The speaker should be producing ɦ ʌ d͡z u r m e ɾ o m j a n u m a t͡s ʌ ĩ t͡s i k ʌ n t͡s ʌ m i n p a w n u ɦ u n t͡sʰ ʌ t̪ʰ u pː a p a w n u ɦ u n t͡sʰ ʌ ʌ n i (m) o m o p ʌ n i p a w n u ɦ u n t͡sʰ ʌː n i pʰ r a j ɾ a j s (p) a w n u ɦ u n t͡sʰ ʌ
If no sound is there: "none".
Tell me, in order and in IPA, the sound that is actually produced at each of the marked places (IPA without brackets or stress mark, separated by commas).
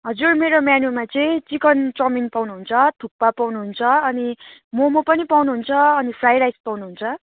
m, p